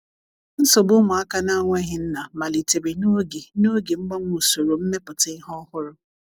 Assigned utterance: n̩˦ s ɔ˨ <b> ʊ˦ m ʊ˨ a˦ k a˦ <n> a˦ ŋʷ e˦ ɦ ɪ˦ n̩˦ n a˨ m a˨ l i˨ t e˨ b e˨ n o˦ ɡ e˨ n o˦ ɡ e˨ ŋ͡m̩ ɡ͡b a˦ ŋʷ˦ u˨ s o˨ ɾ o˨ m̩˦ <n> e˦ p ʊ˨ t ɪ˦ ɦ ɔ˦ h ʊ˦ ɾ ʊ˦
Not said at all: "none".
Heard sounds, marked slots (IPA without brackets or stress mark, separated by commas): b, n, m